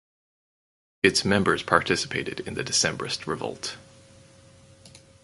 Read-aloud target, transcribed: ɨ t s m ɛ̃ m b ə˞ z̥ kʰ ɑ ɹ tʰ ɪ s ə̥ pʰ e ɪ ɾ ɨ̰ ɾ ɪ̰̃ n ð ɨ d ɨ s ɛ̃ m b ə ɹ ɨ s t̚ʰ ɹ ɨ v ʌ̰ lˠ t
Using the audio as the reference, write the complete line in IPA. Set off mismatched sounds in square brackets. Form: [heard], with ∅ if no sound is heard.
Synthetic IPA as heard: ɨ t s m ɛ̃ m b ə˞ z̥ [pʰ] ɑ ɹ tʰ ɪ s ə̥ pʰ e ɪ ɾ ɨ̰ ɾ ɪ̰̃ n ð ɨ d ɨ s ɛ̃ m b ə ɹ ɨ s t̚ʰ ɹ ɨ v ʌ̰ lˠ t

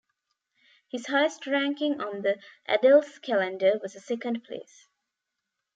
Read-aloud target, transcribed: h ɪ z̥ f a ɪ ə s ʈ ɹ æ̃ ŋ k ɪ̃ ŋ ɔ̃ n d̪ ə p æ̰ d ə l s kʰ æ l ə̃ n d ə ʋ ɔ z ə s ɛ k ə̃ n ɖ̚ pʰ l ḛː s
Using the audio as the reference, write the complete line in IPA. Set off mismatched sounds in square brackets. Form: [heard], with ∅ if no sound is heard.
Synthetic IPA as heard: h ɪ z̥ [h] a ɪ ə s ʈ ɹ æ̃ ŋ k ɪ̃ ŋ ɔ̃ n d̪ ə [ʔ] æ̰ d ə l s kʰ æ l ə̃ n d ə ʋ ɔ z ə s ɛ k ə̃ n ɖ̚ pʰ l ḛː s

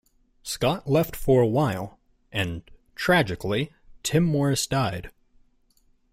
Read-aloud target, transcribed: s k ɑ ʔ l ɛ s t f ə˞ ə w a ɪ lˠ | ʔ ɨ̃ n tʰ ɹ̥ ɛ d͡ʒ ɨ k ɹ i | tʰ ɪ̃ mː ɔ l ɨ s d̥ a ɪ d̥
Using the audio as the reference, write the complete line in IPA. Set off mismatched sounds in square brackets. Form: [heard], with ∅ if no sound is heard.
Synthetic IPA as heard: s k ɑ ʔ l ɛ [f] t f ə˞ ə w a ɪ lˠ | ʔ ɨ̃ n tʰ ɹ̥ [æ] d͡ʒ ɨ k [l] i | tʰ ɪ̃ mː ɔ [ɹ] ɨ s d̥ a ɪ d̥

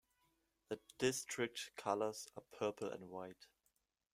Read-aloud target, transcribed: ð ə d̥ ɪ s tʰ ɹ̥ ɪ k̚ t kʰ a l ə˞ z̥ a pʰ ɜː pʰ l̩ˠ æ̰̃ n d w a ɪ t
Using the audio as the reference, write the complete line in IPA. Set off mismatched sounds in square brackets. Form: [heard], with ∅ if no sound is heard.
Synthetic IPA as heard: ð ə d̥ ɪ s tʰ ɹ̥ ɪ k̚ t kʰ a l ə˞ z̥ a pʰ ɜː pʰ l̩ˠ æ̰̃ n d w a ɪ t

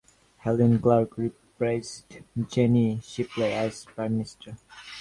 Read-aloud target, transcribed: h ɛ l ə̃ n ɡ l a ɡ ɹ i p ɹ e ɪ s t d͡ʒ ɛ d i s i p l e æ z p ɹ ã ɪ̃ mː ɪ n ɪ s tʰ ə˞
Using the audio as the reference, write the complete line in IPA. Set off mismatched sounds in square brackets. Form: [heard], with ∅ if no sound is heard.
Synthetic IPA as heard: h ɛ l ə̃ n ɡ l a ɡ ɹ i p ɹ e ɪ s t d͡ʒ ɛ [n] i [ʃ] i p l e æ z p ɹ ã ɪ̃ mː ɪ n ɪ s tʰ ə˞

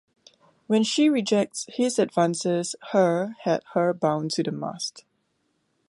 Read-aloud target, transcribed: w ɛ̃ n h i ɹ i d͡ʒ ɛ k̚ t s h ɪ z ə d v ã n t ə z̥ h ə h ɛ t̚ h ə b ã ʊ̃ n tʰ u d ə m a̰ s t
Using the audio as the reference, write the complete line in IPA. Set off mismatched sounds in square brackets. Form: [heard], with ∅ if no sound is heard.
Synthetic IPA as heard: w ɛ̃ n [ʃ] i ɹ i d͡ʒ ɛ k̚ t s h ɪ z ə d v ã n [s] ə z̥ h ə h ɛ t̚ h ə b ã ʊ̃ n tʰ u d ə m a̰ s t

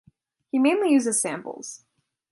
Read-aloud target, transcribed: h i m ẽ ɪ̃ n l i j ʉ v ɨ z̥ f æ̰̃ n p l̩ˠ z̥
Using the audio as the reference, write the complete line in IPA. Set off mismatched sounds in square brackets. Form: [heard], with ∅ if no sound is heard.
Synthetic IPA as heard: h i m ẽ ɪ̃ n l i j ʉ [z] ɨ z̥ [s] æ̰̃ [m] p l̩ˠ z̥

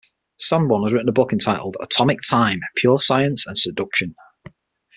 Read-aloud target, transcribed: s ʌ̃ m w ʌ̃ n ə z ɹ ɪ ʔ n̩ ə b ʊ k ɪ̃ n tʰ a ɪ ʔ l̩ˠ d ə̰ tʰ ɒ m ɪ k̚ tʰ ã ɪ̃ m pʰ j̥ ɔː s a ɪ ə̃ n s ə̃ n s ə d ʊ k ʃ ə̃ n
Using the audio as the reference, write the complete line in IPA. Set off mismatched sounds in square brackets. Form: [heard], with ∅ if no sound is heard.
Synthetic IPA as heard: s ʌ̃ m w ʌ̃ n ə z ɹ ɪ ʔ n̩ ə b ʊ k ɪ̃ n tʰ a ɪ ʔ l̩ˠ d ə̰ tʰ ɒ m ɪ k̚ tʰ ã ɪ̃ m pʰ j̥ ɔː s a ɪ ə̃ n s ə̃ n s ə d ʊ k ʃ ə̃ n

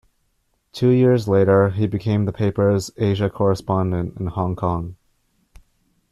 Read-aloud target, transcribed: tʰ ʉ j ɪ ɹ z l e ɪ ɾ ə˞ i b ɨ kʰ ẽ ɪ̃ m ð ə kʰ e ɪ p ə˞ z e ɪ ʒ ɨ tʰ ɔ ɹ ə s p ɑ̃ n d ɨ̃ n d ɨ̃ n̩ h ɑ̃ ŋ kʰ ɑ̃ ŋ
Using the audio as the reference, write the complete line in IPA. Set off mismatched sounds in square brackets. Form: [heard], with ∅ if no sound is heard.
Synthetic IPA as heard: tʰ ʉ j ɪ ɹ z l e ɪ ɾ ə˞ i b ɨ kʰ ẽ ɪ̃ m ð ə [pʰ] e ɪ p ə˞ z e ɪ ʒ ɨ [kʰ] ɔ ɹ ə s p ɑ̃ n d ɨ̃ n [t] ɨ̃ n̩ h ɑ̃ ŋ kʰ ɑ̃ ŋ

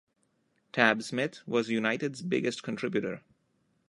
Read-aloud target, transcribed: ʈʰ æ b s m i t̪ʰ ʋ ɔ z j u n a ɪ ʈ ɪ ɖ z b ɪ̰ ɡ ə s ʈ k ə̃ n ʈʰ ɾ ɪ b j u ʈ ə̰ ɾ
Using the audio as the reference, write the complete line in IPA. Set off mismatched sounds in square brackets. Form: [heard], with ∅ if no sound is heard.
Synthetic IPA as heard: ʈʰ æ b s m [ɪ] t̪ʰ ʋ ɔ z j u n a ɪ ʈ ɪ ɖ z b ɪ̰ ɡ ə s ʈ k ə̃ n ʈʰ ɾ ɪ b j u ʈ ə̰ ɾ

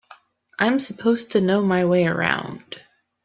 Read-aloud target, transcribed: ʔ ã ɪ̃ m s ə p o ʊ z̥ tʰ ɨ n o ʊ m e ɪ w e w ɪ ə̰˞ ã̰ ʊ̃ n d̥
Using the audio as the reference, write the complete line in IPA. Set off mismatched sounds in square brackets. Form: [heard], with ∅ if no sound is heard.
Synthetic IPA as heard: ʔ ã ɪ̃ m s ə [pʰ] o ʊ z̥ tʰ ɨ n o ʊ m [a] ɪ w e [∅] ɪ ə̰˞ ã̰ ʊ̃ n d̥

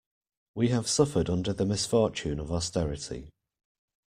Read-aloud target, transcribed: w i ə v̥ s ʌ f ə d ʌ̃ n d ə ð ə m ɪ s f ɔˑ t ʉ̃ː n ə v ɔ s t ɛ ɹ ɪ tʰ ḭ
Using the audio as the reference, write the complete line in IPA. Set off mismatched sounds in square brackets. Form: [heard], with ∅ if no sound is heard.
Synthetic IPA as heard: w i ə v̥ s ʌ f ə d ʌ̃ n d ə ð ə m ɪ s f ɔˑ [t͡ʃ] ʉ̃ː n ə v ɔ s t ɛ ɹ ɪ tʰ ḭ

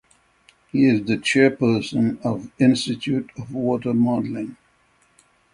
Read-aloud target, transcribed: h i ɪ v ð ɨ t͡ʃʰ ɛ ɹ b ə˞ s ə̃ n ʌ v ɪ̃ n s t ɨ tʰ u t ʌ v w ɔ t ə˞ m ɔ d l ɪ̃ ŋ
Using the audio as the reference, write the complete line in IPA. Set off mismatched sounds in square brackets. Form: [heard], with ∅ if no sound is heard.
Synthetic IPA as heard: h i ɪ [z] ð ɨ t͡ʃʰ ɛ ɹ [p] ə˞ s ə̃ n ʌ v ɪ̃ n s t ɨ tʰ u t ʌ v w ɔ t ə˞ m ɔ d l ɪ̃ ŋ

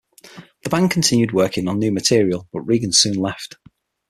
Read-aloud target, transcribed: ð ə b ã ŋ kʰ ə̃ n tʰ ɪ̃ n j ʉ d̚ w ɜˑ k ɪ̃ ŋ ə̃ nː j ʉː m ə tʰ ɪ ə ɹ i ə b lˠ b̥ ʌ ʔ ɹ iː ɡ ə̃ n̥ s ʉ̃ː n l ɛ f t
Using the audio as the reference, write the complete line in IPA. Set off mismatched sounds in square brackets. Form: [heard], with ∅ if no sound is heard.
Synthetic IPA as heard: ð ə b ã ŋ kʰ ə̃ n tʰ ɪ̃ n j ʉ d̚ w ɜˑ k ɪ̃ ŋ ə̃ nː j ʉː m ə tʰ ɪ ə ɹ i ə [∅] lˠ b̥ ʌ ʔ ɹ iː ɡ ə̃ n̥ s ʉ̃ː n l ɛ f t

